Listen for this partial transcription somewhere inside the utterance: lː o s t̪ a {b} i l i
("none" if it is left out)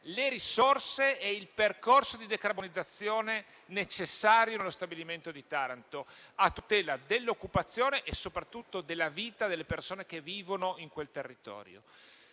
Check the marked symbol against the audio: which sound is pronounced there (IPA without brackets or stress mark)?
b